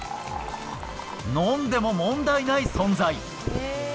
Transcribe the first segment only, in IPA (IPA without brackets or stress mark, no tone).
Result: n